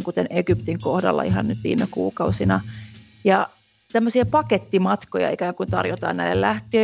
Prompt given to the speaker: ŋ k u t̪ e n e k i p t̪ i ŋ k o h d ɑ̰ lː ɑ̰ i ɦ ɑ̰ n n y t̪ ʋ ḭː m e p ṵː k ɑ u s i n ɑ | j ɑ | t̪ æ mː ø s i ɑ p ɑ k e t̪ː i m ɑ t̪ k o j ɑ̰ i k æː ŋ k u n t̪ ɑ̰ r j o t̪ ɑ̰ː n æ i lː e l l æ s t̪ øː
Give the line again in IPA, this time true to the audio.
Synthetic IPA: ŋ k u t̪ e n e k y p t̪ i ŋ k o h d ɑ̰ lː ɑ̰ i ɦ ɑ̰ n n y t̪ ʋ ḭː m e k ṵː k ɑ u s i n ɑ | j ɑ | t̪ æ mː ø s i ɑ p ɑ k e t̪ː i m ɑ t̪ k o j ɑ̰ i k æː ŋ k u n t̪ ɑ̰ r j o t̪ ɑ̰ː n æ i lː e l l æ h t̪ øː